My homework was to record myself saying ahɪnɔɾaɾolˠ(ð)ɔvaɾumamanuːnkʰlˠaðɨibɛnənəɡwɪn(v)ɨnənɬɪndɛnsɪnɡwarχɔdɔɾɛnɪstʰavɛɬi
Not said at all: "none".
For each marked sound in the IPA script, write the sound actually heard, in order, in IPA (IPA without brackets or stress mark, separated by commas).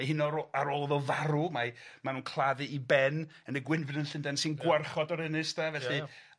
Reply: ð, v